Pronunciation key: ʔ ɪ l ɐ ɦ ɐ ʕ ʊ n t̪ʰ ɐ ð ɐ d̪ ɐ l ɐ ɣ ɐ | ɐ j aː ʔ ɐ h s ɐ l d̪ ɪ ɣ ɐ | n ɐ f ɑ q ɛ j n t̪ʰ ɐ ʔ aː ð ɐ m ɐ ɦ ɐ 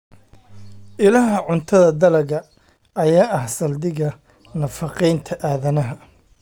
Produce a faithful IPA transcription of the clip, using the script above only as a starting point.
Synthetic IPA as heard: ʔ ɪ l ɐ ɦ ɐ ʕ ʊ n t̪ʰ ɐ ð ɐ d̪ ɐ l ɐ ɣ ɐ | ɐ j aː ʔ ɐ h s ɐ l d̪ ɪ ɣ ɐ | n ɐ f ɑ q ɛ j n t̪ʰ ɐ ʔ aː ð ɐ n ɐ ɦ ɐ